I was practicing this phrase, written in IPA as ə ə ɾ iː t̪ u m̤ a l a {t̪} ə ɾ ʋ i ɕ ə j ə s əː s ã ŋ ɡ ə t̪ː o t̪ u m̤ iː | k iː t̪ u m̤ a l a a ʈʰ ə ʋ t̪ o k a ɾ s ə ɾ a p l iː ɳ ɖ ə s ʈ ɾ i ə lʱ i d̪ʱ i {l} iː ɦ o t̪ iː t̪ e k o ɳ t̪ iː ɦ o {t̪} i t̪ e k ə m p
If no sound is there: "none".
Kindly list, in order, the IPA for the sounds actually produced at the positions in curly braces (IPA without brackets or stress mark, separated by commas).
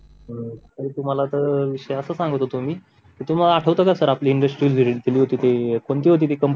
t̪, l, t̪